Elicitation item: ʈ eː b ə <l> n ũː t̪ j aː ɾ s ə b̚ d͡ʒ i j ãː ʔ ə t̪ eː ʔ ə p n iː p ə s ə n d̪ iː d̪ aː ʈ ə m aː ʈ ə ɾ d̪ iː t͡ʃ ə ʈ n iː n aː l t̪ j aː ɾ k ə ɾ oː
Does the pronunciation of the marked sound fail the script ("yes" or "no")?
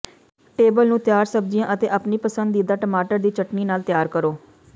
no